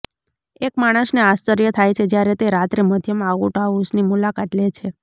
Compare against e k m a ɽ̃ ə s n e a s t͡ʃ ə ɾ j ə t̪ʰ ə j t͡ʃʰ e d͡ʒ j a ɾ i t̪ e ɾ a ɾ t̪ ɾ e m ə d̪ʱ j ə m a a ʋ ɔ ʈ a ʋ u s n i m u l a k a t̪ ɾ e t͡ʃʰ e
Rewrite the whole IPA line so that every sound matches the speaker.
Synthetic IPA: e k m a ɽ̃ ə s n e a s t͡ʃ ə ɾ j ə t̪ʰ a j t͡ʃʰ e d͡ʒ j a ɾ e t̪ e ɾ a t̪ ɾ e m ə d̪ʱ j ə m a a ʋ u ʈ a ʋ u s n i m u l a k a t̪ l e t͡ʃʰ e